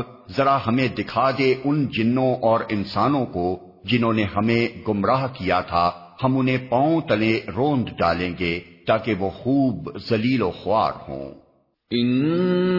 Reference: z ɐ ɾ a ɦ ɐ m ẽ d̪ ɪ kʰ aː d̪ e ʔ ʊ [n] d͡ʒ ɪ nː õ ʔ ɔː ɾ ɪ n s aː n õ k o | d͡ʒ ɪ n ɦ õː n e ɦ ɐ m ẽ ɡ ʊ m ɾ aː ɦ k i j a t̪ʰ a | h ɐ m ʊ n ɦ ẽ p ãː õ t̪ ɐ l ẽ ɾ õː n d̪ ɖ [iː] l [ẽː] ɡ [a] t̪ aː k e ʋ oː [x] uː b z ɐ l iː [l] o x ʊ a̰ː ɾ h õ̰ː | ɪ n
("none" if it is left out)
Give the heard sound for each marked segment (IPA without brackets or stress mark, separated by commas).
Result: n, aː, ẽː, e, x, l